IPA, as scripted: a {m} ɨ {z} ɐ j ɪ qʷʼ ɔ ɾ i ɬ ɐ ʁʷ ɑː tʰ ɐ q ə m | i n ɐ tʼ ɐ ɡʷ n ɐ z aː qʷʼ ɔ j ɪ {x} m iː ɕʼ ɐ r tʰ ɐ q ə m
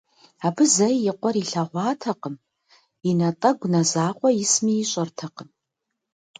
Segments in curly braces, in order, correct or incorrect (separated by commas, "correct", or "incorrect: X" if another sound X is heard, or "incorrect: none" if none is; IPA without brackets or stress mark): incorrect: b, correct, incorrect: s